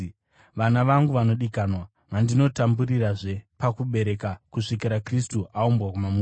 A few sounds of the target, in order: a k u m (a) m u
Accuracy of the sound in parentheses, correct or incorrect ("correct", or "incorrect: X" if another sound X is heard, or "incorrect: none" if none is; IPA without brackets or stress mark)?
correct